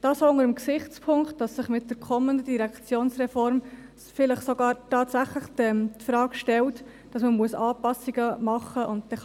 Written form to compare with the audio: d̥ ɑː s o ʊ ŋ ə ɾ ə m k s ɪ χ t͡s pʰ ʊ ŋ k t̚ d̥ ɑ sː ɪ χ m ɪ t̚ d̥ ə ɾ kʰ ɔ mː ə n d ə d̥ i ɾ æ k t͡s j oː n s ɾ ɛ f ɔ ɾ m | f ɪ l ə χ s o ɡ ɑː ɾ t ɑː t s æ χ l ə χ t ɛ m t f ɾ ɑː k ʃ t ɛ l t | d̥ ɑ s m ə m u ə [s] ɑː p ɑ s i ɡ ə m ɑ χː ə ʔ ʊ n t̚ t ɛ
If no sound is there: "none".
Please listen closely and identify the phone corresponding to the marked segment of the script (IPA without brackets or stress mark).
s